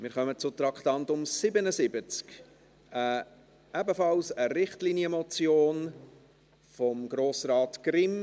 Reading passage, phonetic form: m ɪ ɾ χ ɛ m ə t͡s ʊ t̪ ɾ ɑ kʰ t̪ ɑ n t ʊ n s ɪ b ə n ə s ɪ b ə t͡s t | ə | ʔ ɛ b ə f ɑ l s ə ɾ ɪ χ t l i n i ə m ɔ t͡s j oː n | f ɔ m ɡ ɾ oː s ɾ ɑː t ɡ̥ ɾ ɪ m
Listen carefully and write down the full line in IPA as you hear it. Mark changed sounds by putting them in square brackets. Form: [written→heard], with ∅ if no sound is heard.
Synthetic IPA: m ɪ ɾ χ [ɛ→œ] m ə t͡s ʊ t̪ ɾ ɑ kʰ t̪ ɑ n t ʊ [n→m] s ɪ b ə n ə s ɪ b ə t͡s [t→k] | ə | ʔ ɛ b ə f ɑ l s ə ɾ ɪ χ t l i n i ə m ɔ t͡s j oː n | f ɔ m ɡ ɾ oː s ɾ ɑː t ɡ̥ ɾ ɪ m

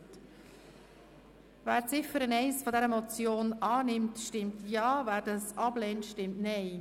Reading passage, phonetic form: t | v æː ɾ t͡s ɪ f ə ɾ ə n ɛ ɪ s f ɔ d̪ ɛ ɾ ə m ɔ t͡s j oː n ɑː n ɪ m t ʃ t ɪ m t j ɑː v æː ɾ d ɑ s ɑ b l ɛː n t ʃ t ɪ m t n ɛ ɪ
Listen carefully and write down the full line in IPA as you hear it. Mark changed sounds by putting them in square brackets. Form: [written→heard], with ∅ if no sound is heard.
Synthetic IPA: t | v æː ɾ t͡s ɪ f ə ɾ ə n ɛ ɪ s f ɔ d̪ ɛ ɾ ə m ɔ t͡s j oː n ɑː n ɪ m t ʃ t ɪ m t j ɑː v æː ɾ d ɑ s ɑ b l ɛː n t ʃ t ɪ m t n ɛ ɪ

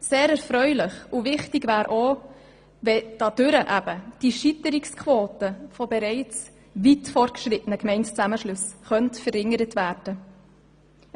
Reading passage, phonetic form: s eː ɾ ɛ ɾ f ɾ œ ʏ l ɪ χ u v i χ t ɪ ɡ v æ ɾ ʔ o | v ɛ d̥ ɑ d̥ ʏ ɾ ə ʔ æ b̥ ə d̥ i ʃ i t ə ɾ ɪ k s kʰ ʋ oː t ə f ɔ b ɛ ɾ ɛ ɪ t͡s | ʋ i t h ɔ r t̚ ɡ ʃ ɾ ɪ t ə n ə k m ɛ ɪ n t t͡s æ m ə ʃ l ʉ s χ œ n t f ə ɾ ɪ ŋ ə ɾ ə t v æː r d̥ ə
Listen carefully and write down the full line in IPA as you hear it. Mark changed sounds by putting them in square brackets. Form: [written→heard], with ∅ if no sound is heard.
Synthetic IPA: s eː ɾ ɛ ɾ f ɾ œ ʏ l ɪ χ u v [i→ɪ] χ t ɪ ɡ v [æ→æː] ɾ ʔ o | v ɛ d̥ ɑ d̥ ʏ ɾ ə ʔ æ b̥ ə d̥ i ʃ i t ə ɾ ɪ k s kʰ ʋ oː t ə f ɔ b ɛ ɾ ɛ ɪ t͡s | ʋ i t [h→f] ɔ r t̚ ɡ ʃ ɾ ɪ t ə n ə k m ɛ ɪ n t t͡s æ m ə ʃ l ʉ s χ œ n t f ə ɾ ɪ ŋ ə ɾ ə t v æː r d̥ ə

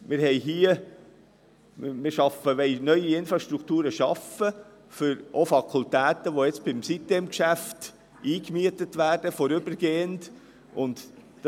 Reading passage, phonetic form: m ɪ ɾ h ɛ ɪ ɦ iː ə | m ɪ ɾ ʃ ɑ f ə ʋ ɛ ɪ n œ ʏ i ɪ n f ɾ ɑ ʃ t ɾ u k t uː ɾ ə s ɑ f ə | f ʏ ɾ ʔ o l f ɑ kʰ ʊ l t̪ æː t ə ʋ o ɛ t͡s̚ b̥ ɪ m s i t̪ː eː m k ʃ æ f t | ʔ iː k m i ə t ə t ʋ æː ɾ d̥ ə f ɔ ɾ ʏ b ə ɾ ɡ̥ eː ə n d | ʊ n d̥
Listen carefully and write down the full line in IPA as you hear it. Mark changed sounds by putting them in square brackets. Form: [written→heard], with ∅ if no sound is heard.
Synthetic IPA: m ɪ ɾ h ɛ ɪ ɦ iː ə | m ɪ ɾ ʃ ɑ f ə ʋ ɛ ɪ n œ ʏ i ɪ n f ɾ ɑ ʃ t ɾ u k t uː ɾ ə [s→ʃ] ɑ f ə | f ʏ ɾ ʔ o [l→∅] f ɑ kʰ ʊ l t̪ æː t ə ʋ o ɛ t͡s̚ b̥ ɪ m s i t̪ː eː m k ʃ æ f t | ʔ iː k m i ə t ə t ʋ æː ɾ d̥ ə f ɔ ɾ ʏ b ə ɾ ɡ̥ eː ə n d | ʊ n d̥

